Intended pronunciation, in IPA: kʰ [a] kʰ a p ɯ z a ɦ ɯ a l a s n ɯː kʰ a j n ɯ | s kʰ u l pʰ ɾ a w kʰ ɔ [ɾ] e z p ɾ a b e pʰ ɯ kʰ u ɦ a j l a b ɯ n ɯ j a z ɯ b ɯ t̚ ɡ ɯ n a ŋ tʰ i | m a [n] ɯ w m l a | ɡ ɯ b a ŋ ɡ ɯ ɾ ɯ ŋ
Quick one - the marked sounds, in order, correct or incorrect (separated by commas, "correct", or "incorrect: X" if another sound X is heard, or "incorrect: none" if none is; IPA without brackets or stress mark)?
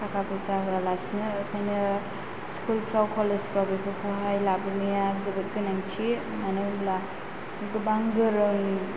correct, incorrect: l, correct